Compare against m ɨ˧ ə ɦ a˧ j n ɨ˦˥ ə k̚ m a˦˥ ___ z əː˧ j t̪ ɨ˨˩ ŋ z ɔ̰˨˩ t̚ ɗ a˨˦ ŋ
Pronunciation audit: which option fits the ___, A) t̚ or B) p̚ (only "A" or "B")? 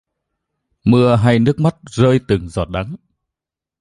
A